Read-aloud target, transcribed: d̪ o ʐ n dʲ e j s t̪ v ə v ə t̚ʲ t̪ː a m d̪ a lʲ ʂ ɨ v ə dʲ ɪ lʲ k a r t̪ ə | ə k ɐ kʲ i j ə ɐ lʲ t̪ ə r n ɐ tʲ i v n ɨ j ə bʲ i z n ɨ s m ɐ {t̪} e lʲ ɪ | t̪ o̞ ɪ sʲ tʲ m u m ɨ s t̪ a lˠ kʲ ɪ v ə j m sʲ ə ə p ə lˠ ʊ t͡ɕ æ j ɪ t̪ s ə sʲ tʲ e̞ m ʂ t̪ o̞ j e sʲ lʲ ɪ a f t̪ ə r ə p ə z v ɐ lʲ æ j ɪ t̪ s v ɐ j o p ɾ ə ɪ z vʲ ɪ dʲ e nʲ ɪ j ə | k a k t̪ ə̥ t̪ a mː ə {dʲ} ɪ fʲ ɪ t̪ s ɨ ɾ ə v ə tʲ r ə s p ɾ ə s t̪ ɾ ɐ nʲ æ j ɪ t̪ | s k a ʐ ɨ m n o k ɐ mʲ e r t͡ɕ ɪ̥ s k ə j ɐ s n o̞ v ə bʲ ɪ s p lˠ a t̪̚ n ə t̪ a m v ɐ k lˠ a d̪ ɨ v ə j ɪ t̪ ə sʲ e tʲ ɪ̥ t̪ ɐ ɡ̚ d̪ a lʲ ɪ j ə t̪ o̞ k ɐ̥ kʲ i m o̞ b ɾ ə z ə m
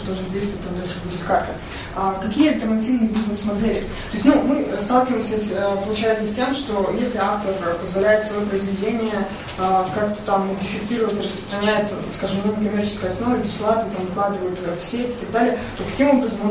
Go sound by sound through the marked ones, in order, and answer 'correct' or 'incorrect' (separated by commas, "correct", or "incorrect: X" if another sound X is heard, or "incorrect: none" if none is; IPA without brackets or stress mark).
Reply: incorrect: d̪, correct